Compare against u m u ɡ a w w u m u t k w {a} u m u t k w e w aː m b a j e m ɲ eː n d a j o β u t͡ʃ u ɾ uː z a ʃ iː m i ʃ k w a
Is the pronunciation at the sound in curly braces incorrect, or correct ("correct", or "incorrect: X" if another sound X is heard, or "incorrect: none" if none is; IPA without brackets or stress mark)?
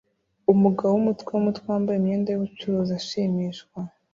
incorrect: e